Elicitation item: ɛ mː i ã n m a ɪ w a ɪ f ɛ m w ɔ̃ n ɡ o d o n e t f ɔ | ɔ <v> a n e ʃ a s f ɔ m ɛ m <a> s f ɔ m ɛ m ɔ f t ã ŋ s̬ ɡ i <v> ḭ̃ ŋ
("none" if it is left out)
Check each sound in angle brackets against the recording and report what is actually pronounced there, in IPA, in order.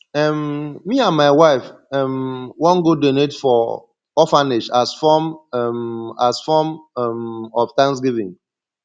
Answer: f, a, v

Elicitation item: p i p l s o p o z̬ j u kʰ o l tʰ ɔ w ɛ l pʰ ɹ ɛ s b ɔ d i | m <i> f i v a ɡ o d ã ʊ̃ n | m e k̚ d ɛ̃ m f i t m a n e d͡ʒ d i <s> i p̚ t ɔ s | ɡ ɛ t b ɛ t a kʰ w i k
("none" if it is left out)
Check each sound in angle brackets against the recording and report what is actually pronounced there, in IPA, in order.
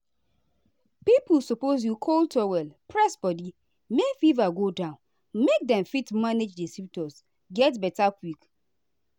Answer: e, s

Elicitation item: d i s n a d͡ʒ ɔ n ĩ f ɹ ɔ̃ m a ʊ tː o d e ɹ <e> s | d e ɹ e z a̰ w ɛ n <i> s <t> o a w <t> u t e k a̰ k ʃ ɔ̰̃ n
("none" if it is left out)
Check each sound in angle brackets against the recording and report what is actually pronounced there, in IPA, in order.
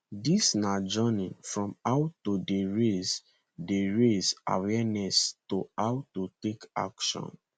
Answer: e, ɛ, t, t

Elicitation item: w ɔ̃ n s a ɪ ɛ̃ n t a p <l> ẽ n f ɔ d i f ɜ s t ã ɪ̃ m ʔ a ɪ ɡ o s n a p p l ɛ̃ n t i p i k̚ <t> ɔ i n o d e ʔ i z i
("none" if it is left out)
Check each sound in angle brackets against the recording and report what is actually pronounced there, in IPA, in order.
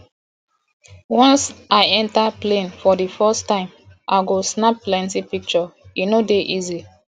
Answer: l, t͡ʃ

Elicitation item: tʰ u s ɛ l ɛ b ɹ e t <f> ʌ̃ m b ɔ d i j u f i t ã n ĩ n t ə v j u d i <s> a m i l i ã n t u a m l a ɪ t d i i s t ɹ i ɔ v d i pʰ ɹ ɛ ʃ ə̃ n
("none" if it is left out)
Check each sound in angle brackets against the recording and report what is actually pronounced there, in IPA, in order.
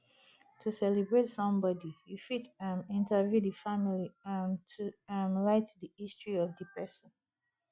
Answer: s, f

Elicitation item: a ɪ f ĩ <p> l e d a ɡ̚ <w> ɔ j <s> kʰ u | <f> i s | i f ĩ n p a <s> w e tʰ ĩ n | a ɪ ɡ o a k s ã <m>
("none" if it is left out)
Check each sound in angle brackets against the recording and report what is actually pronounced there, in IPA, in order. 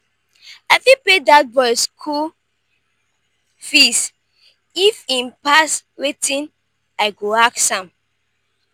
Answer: p, b, s, f, s, m

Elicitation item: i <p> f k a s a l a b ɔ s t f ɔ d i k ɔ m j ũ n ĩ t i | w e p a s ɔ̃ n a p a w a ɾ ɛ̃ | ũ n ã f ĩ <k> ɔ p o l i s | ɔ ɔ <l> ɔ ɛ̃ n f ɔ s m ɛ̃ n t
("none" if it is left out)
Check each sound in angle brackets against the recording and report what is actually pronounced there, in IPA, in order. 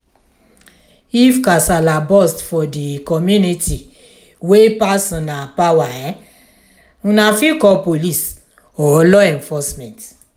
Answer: none, k, l

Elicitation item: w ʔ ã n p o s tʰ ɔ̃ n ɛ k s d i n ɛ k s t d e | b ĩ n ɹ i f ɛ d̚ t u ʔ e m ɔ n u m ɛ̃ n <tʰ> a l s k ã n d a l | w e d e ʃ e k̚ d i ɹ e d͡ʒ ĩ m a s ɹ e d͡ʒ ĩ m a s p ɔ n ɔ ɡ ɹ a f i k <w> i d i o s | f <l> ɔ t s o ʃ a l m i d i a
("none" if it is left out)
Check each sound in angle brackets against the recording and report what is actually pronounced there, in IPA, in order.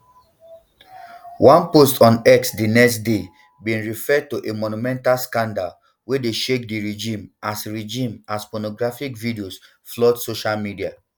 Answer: t, v, l

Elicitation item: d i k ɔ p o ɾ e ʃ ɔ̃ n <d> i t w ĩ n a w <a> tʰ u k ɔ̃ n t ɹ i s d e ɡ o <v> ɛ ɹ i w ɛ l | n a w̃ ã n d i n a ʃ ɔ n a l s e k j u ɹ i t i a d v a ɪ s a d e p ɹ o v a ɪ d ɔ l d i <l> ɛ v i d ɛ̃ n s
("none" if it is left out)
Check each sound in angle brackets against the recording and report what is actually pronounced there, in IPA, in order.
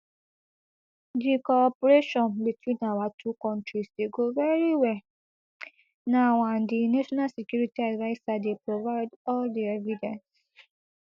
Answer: b, a, v, none

